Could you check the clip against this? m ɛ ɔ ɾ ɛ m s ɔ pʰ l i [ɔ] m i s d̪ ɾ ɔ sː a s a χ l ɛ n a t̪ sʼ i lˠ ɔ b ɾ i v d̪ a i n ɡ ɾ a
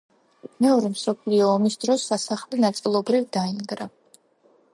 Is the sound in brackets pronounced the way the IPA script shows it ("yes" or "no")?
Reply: no